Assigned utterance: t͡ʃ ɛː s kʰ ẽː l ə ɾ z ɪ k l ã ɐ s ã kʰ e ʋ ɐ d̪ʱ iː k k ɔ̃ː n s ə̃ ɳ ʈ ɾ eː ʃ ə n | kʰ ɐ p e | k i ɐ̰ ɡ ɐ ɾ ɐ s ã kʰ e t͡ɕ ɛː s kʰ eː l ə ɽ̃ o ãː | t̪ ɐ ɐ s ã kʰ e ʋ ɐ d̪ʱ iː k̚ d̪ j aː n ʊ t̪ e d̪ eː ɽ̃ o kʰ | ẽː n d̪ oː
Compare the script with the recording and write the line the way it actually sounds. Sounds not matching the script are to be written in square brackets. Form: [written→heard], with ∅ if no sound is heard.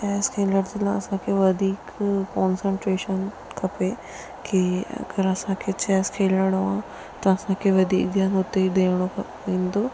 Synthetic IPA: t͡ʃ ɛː s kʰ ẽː l ə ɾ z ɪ [k→∅] l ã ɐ s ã kʰ e ʋ ɐ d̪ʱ iː k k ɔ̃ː n s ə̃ ɳ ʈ ɾ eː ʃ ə n | kʰ ɐ p e | k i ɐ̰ ɡ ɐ ɾ ɐ s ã kʰ e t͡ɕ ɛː s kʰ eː l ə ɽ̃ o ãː | t̪ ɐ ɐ s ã kʰ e ʋ ɐ d̪ʱ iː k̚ d̪ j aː n ʊ t̪ e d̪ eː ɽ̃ o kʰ | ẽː n d̪ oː